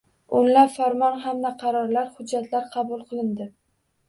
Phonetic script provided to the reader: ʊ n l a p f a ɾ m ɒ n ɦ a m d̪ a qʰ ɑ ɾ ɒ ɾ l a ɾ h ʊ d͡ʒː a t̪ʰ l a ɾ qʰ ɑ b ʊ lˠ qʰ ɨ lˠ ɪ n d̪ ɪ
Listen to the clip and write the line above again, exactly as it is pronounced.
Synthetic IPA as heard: ʊ n l a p f a ɾ m ɒ n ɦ a m d̪ a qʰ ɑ ɾ ɒ ɾ l a ɾ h ʊ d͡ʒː a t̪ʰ l a ɾ qʰ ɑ b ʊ lˠ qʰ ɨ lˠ ɪ n d̪ ɪ